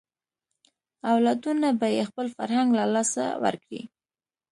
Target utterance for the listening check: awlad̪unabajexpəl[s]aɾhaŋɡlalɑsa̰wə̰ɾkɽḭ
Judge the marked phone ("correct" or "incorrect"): incorrect